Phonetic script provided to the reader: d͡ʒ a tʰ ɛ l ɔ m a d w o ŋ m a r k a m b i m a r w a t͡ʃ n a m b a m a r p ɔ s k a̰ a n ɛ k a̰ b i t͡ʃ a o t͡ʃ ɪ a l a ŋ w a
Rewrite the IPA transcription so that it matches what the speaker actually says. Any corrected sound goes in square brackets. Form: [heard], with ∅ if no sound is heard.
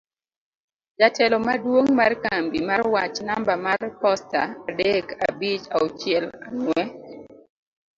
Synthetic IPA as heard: d͡ʒ a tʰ ɛ l ɔ m a d w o ŋ m a r k a m b i m a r w a t͡ʃ n a m b a m a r p ɔ s [t] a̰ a [d] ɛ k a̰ b i t͡ʃ a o t͡ʃ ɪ [ɛ] l a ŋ w [ɛ]